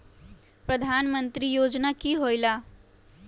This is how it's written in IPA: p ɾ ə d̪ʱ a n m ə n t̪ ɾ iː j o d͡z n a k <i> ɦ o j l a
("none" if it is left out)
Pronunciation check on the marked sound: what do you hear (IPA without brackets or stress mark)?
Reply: iː